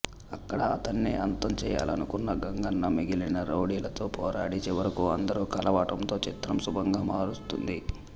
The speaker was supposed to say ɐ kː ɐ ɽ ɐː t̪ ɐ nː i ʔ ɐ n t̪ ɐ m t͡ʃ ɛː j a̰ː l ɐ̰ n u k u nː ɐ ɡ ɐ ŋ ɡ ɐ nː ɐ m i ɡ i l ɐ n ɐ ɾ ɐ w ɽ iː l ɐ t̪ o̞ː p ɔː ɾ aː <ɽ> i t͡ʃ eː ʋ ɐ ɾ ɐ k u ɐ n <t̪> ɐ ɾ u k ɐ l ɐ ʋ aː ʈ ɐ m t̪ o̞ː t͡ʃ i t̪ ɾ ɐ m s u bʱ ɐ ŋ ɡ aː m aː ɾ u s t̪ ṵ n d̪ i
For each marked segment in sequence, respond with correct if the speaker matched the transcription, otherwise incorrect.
correct, incorrect: d̪

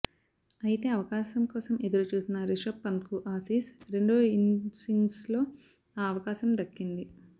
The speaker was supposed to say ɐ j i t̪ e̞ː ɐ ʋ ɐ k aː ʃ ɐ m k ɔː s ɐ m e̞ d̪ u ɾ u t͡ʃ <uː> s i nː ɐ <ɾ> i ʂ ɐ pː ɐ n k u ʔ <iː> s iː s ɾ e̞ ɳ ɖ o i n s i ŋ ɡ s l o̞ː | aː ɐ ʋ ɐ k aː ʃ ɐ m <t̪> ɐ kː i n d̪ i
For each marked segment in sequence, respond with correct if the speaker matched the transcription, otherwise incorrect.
correct, correct, incorrect: aː, incorrect: d̪

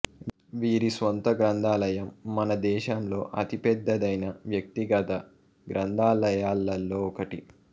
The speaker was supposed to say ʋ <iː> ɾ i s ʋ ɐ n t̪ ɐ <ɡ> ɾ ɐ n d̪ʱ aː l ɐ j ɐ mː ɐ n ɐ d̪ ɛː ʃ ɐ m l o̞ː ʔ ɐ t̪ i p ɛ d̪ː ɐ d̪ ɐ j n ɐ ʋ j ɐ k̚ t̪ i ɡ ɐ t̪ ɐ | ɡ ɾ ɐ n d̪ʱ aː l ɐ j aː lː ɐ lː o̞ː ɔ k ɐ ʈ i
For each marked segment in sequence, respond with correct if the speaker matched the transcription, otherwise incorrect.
correct, correct

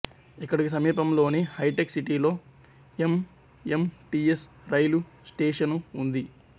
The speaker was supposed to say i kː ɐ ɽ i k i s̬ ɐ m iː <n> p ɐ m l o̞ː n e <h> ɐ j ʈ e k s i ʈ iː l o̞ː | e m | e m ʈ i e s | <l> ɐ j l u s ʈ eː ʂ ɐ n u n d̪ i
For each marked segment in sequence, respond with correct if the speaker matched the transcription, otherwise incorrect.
incorrect: none, correct, incorrect: ɾ

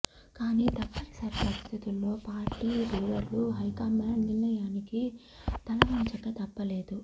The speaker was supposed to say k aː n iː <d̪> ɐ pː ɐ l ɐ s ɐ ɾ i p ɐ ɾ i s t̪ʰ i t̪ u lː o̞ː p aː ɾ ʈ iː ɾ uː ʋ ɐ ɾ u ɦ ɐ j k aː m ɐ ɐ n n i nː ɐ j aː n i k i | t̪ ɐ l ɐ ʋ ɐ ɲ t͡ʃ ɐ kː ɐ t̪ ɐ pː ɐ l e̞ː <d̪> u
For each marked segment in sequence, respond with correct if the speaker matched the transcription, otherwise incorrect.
incorrect: t̪, correct

